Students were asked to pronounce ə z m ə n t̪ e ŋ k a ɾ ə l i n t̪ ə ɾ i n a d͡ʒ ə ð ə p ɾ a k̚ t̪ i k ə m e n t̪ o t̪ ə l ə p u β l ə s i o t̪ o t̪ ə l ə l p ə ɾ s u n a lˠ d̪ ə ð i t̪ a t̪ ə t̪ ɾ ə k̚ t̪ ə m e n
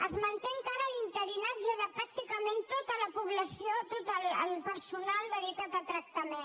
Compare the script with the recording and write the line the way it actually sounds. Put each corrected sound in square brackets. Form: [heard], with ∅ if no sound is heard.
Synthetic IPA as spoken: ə z m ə n t̪ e ŋ k a ɾ ə l i n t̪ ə ɾ i n a d͡ʒ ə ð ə p ɾ a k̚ t̪ i k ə m e n t̪ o t̪ ə l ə p u β l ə s i o t̪ o t̪ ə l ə l p ə ɾ s u n a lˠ d̪ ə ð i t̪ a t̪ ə t̪ ɾ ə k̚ t̪ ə m e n